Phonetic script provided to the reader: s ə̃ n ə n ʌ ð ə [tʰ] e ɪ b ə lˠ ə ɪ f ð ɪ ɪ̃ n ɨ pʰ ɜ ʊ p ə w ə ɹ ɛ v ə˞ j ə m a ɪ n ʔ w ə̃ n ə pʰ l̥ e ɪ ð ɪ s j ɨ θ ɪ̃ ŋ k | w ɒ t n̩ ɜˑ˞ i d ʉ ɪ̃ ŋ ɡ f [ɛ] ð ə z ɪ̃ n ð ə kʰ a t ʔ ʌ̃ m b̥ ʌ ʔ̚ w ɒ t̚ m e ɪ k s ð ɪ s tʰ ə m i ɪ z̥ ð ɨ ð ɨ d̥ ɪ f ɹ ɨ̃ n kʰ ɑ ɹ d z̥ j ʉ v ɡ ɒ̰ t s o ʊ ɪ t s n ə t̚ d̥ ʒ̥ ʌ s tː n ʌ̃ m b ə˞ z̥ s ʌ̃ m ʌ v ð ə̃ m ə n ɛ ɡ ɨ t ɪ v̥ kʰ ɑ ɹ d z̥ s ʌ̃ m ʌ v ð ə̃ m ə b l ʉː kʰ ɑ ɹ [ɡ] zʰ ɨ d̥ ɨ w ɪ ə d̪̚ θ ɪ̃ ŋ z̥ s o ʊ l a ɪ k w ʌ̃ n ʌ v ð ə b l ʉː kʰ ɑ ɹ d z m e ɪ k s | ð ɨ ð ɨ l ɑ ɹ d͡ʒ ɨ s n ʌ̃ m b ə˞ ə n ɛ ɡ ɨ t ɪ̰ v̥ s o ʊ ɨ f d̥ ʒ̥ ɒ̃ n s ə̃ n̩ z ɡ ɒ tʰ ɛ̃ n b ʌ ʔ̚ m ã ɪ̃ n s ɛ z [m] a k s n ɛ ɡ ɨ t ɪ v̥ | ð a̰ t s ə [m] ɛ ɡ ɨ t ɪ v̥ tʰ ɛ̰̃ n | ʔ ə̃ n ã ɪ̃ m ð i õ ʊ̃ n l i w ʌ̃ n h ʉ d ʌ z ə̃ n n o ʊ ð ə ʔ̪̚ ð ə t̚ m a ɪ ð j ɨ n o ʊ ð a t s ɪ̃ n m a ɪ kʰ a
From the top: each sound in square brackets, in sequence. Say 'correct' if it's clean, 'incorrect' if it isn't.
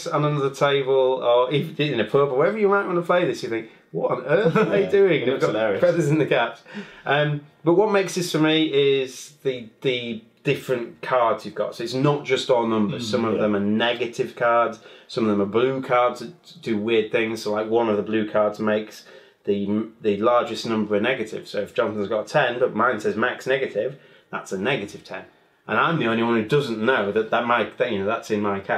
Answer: correct, correct, incorrect: d, correct, incorrect: n

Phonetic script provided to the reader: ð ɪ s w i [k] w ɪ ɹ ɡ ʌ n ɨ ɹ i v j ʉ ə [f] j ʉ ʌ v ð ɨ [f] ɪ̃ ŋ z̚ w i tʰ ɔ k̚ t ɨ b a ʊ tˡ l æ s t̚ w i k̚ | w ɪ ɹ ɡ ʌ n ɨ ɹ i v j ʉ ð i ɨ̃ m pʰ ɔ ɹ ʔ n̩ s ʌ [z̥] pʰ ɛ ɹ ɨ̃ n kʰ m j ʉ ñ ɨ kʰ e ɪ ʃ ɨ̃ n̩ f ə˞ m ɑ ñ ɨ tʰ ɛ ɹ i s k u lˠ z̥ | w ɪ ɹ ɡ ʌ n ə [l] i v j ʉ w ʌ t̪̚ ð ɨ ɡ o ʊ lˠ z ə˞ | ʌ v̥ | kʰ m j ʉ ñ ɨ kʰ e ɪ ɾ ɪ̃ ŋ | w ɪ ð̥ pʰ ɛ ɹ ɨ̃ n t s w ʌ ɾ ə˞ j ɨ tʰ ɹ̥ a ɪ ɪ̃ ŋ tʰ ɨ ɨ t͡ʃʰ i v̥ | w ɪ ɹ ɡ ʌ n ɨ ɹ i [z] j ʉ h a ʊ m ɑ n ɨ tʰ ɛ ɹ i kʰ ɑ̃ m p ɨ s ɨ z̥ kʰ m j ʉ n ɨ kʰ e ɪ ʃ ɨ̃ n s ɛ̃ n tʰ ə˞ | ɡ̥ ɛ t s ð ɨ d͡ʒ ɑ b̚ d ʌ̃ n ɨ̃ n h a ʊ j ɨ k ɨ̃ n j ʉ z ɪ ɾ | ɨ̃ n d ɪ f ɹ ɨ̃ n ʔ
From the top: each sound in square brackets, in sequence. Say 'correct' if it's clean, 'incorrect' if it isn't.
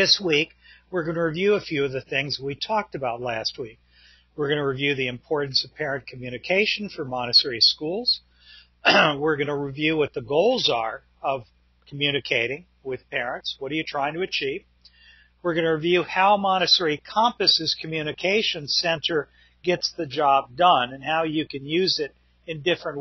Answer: correct, correct, incorrect: θ, incorrect: v̥, incorrect: ɹ, incorrect: v

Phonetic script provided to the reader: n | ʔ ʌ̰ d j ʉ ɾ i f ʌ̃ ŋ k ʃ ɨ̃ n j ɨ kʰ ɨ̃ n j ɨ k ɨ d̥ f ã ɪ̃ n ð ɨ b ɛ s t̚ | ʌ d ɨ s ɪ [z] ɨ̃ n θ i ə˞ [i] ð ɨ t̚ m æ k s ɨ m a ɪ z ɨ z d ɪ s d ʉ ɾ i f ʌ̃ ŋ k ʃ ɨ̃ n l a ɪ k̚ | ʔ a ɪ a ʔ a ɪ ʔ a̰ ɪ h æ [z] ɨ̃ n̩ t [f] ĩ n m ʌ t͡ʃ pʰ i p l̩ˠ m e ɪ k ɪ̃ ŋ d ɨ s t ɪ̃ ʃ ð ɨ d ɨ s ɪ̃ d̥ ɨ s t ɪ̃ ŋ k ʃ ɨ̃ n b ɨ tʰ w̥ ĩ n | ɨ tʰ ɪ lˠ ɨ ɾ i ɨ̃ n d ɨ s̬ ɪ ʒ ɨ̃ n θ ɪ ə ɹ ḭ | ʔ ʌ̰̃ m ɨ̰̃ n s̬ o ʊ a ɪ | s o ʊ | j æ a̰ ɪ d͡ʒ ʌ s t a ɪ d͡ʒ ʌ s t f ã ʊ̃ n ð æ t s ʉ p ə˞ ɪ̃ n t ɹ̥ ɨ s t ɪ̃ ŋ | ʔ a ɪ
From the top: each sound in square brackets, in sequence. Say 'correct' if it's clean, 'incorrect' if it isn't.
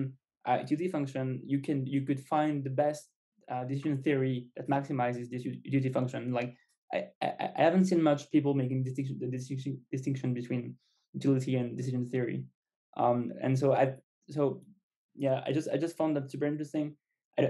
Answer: incorrect: ʒ, correct, incorrect: v, incorrect: s

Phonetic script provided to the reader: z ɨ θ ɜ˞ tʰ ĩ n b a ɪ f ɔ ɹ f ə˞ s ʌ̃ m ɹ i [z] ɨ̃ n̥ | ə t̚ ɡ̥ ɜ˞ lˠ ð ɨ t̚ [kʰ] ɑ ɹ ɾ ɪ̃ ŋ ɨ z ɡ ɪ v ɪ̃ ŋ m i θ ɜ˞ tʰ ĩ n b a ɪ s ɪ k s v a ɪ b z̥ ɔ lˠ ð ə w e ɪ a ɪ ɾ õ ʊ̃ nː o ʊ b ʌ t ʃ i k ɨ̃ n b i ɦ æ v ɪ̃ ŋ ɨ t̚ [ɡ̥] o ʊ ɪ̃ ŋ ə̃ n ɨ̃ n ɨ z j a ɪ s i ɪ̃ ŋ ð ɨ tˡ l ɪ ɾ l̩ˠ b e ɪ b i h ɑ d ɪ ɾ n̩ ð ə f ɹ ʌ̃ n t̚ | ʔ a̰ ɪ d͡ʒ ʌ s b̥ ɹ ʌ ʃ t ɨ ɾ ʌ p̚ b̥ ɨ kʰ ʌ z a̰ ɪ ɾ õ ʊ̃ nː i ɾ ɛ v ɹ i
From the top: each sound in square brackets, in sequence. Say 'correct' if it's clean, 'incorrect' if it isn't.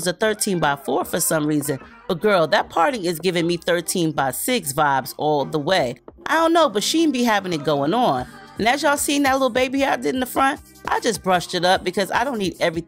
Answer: correct, incorrect: pʰ, correct

